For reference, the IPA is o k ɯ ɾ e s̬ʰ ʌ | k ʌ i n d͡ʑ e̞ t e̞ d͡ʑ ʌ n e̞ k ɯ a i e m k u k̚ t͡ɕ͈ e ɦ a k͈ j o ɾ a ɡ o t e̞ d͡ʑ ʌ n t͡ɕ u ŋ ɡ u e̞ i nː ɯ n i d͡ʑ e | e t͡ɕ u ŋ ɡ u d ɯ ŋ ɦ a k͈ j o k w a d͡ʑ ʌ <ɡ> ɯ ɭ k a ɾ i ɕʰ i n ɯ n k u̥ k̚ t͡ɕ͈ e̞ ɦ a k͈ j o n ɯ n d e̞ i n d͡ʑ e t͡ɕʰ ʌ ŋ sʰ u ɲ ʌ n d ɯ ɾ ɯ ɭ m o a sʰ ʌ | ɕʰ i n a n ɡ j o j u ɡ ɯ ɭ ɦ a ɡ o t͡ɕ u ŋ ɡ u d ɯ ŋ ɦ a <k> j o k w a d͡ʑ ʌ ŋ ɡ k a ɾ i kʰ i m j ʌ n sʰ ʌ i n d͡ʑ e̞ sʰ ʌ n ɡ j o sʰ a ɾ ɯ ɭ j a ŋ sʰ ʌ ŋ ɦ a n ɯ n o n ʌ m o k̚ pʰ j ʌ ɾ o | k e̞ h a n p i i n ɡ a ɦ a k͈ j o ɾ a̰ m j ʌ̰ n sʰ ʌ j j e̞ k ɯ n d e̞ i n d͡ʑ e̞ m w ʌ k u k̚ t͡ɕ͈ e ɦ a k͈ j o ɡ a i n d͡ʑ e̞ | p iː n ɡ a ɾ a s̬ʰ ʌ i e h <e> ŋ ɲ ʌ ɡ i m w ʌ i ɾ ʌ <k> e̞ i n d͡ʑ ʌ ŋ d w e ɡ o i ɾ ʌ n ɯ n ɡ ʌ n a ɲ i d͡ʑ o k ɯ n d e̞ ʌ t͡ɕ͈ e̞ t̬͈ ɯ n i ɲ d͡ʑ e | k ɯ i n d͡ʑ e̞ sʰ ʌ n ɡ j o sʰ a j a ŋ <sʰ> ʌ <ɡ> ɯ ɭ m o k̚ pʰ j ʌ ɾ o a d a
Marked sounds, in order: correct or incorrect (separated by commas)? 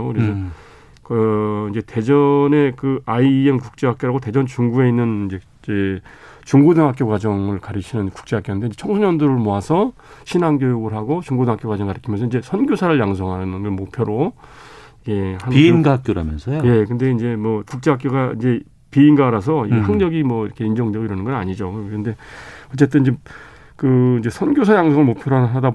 incorrect, correct, incorrect, incorrect, correct, incorrect